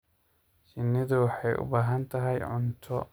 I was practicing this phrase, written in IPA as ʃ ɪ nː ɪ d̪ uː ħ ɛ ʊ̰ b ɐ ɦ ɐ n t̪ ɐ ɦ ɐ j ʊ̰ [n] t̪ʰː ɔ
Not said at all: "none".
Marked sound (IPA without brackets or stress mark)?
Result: n